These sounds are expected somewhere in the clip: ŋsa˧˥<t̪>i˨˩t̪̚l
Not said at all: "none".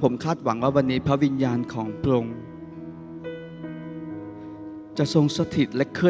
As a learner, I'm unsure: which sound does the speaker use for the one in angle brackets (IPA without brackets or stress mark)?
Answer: t̪ʰ